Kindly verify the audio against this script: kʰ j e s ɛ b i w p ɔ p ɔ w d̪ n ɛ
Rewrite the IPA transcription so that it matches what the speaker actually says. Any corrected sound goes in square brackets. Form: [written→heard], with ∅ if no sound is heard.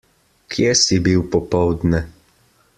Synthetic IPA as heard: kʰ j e s [ɛ→i] b i w p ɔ p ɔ w d̪ n ɛ